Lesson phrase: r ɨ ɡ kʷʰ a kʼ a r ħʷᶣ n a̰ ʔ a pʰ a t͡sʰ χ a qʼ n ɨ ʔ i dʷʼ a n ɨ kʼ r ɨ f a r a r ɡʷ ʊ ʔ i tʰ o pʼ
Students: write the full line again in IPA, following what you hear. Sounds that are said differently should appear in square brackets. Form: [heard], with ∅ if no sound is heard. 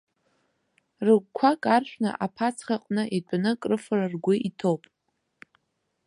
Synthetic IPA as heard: r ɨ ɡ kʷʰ a kʼ a r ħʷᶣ n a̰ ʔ a pʰ a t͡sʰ χ a qʼ n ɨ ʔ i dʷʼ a n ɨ kʼ r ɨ f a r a r ɡʷ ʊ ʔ i tʰ o pʼ